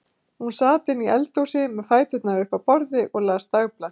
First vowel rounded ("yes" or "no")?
yes